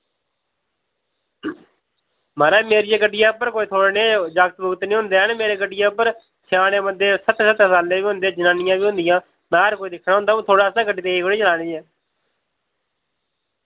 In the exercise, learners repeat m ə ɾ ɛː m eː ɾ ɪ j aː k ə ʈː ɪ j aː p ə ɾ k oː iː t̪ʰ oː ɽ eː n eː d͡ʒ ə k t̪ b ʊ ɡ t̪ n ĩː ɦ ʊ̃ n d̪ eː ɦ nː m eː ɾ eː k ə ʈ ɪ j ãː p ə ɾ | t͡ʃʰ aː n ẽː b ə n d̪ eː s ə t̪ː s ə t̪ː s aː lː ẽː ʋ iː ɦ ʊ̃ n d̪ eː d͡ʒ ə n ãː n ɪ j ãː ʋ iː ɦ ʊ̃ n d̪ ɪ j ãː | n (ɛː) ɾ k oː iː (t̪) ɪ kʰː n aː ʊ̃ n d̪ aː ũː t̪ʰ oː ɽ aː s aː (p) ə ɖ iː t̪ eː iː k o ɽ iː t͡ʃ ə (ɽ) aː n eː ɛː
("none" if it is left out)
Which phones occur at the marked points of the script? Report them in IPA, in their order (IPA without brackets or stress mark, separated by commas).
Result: aː, d̪, k, l